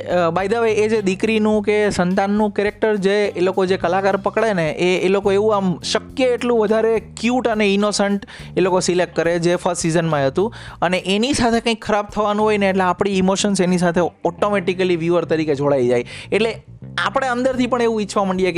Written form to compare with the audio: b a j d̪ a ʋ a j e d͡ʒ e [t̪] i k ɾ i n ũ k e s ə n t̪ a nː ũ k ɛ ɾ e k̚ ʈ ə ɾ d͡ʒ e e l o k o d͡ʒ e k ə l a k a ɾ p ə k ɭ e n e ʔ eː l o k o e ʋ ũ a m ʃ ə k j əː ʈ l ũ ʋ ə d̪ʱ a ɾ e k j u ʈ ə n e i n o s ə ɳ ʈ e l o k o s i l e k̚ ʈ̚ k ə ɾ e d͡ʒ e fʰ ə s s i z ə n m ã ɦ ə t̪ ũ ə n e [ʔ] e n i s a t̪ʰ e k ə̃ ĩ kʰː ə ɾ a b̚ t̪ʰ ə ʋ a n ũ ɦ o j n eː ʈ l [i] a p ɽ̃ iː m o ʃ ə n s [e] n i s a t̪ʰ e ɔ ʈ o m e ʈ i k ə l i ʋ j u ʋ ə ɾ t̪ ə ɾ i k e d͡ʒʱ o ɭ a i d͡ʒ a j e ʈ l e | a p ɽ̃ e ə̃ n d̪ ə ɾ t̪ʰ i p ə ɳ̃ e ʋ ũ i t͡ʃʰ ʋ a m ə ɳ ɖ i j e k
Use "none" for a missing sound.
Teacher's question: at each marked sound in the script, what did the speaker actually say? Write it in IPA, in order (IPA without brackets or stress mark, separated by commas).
d̪, ʔ, e, e